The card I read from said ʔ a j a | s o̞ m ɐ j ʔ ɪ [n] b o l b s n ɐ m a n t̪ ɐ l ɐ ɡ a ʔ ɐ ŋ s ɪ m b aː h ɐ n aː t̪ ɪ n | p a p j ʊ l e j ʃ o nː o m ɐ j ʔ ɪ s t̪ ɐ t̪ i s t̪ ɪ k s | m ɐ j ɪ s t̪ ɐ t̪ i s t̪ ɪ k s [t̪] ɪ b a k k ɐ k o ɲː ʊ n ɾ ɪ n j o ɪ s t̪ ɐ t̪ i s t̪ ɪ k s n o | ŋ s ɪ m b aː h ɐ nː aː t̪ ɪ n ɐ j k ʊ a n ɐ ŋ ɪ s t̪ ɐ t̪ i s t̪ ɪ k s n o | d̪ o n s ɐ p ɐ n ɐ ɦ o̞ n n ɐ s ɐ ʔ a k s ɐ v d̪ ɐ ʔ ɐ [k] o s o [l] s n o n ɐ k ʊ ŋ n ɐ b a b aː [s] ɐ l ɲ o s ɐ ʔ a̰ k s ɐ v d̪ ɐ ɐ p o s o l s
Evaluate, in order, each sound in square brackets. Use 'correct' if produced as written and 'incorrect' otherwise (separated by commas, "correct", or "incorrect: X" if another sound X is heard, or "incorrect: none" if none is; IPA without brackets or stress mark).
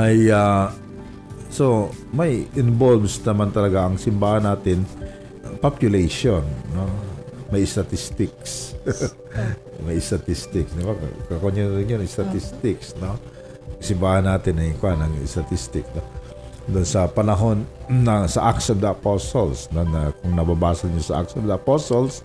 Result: correct, incorrect: d̪, incorrect: p, correct, correct